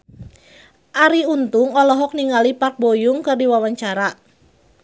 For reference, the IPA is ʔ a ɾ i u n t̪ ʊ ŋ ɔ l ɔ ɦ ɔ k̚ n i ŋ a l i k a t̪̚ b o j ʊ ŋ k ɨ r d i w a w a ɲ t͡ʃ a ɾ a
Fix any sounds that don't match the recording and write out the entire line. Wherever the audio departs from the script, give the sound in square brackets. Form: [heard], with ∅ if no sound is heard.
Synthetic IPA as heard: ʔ a ɾ i u n t̪ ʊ ŋ ɔ l ɔ ɦ ɔ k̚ n i ŋ a l i [p] a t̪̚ b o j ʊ ŋ k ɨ r d i w a w a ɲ t͡ʃ a ɾ a